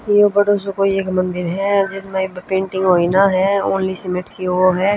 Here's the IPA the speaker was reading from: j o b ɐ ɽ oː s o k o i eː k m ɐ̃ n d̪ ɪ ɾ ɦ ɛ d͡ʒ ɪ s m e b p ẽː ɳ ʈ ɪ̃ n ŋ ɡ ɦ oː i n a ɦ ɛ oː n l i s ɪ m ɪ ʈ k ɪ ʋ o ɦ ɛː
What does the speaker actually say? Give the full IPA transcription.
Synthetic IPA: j o b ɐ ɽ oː s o k o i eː k m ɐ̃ n d̪ ɪ ɾ ɦ ɛ d͡ʒ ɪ s m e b p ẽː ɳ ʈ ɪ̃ ŋ ɡ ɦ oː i n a ɦ ɛ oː n l i s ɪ m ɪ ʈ k i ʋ o ɦ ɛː